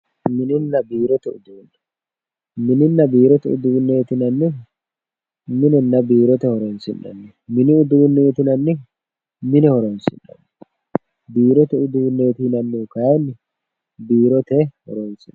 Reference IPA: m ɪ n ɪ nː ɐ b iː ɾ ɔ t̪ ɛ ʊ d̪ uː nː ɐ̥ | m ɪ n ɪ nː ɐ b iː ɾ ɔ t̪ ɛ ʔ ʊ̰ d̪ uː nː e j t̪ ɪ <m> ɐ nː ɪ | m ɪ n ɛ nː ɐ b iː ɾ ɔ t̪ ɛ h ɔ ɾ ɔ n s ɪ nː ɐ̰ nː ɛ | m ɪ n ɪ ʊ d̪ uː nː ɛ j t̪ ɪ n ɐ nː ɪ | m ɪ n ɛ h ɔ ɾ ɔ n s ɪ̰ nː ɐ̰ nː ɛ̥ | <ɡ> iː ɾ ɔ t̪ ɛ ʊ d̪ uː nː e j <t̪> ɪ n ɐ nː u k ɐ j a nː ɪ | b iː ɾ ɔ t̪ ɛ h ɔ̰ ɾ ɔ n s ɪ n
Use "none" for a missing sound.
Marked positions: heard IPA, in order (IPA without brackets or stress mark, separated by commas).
n, b, t̪